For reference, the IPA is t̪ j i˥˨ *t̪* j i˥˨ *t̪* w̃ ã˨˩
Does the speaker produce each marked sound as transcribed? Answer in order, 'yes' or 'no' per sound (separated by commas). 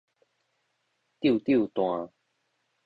yes, yes